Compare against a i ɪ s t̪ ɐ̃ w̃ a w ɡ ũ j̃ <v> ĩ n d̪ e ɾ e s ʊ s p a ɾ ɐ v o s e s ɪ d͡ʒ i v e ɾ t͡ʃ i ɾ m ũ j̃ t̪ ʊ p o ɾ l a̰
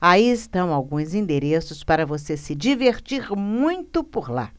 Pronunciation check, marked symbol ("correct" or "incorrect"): incorrect